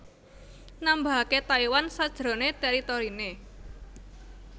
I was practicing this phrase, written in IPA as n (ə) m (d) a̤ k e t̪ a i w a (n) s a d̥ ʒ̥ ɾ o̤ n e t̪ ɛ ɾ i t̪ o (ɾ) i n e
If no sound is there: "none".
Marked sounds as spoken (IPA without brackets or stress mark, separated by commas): a, b, n, ɾ